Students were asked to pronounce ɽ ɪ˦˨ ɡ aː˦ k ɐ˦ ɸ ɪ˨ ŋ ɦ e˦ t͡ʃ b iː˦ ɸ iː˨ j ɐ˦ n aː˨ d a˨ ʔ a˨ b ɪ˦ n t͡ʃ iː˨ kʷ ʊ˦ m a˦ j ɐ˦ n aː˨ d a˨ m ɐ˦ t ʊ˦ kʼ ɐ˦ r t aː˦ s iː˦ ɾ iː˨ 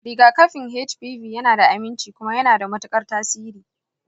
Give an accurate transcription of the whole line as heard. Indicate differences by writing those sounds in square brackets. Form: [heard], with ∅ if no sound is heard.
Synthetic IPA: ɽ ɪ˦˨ ɡ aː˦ k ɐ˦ ɸ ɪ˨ ŋ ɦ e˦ t͡ʃ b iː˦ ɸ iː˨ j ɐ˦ n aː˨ d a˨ ʔ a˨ [m] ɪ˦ n t͡ʃ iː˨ kʷ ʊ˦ m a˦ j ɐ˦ n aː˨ d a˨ m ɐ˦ t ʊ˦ kʼ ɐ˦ r t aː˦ s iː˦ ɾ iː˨